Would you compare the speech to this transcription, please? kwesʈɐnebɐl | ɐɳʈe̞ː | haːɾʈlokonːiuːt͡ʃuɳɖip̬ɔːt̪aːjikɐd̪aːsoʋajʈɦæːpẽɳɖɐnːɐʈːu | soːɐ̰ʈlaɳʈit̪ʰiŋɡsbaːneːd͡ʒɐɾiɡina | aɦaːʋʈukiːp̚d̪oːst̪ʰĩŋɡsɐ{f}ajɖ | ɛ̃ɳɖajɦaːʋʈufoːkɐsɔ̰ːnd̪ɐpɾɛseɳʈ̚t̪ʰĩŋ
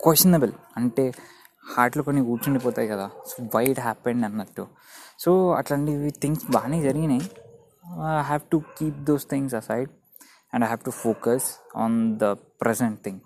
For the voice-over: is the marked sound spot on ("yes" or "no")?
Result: no